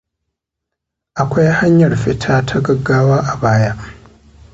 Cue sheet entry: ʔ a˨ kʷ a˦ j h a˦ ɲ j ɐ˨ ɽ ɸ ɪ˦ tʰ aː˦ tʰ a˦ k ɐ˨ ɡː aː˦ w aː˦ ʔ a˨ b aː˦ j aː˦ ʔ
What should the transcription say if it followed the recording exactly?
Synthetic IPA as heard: ʔ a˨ kʷ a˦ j h a˦ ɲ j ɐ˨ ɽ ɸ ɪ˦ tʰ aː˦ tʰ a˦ ɡ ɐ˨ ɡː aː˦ w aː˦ ʔ a˨ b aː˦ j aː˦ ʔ